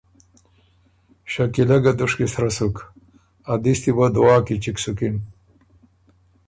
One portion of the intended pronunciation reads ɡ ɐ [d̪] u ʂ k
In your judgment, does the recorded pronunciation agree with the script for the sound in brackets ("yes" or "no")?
yes